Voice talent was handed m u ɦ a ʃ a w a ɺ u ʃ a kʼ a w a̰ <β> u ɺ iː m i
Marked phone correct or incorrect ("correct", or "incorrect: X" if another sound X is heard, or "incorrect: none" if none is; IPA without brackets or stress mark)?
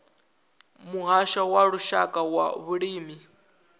correct